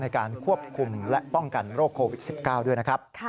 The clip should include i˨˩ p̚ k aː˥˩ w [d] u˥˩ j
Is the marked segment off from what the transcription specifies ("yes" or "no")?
no